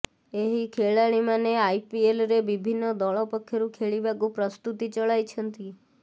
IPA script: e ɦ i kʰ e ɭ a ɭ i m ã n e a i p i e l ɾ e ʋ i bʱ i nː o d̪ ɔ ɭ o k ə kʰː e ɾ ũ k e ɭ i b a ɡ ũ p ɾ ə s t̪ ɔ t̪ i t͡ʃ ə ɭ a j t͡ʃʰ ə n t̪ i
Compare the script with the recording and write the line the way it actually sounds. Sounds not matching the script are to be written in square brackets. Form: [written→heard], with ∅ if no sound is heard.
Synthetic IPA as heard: e ɦ i kʰ e ɭ a ɭ i m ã n e a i p i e l ɾ e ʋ i bʱ i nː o d̪ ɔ ɭ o [k→p] ə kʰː e ɾ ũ [k→kʰ] e ɭ i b a ɡ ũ p ɾ ə s t̪ [ɔ→u] t̪ i t͡ʃ ə ɭ a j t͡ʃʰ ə n t̪ i